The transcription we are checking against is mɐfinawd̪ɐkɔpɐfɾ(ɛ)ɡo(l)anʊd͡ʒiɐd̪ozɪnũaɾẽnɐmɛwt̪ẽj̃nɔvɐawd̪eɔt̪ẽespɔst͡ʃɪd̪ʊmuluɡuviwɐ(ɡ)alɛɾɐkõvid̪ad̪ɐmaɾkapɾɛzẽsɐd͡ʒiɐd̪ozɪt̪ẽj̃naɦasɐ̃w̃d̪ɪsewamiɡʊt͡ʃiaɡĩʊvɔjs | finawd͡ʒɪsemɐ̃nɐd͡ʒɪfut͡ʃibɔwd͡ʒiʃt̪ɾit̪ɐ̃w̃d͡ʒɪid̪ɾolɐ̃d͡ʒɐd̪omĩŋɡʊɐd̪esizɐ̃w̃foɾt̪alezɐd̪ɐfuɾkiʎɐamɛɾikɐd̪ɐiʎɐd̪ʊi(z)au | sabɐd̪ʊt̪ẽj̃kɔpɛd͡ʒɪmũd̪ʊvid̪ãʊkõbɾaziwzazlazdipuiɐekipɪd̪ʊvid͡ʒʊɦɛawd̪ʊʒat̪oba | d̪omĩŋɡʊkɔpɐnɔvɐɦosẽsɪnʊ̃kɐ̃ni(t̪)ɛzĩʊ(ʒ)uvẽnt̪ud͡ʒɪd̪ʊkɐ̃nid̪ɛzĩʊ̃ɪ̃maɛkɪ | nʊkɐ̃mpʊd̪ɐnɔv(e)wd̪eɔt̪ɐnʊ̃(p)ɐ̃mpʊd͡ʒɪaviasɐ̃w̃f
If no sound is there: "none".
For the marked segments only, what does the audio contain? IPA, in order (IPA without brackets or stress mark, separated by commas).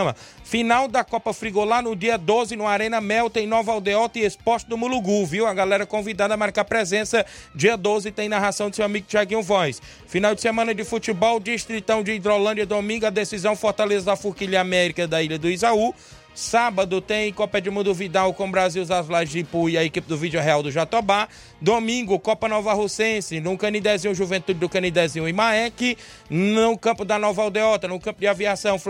i, l, ɡ, z, d̪, ʒ, a, k